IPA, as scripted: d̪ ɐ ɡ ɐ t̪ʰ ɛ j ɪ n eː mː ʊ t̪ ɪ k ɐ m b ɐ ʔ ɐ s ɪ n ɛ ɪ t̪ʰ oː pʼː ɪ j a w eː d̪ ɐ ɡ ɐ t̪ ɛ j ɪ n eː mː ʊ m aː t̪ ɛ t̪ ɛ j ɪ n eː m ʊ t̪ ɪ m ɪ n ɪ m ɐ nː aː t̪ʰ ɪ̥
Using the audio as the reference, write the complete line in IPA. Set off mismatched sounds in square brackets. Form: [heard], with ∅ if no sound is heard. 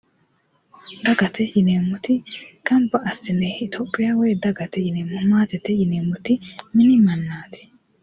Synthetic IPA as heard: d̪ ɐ ɡ ɐ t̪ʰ ɛ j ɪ n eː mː ʊ t̪ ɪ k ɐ m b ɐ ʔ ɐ s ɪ n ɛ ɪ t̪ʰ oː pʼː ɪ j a w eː d̪ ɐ ɡ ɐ t̪ ɛ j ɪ n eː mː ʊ m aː t̪ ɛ t̪ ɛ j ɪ n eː m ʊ t̪ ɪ m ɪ n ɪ m ɐ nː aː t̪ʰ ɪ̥